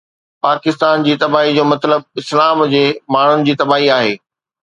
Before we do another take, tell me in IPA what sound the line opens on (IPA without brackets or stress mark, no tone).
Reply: p